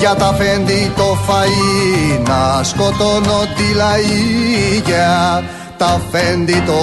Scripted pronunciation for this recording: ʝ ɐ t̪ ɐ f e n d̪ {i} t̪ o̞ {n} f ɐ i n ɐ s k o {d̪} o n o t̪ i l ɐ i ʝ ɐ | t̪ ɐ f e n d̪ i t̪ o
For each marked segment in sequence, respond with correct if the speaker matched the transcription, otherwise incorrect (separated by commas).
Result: correct, incorrect, incorrect